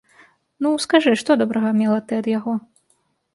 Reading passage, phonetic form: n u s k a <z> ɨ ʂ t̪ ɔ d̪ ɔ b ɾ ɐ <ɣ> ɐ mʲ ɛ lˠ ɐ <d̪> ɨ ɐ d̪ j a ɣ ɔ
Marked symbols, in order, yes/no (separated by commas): no, yes, no